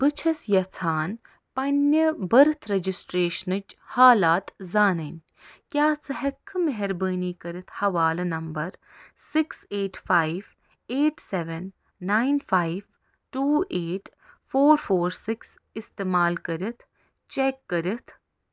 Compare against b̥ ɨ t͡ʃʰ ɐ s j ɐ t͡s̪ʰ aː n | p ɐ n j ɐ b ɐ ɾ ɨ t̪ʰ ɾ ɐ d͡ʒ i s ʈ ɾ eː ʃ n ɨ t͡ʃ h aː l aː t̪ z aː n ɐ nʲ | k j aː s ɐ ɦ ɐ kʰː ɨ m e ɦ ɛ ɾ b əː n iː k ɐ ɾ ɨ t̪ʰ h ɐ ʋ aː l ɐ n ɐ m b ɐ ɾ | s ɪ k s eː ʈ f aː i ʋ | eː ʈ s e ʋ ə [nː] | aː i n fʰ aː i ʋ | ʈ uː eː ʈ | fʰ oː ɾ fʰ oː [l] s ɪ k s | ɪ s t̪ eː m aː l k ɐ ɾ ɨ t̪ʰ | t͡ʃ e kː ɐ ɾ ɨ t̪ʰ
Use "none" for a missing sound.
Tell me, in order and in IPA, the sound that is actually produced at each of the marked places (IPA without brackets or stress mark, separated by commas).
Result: nː, ɾ